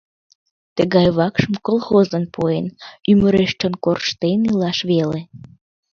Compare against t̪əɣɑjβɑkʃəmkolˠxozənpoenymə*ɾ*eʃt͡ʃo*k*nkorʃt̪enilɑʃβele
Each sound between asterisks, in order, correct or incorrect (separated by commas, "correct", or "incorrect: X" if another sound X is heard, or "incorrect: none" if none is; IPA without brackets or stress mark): correct, incorrect: none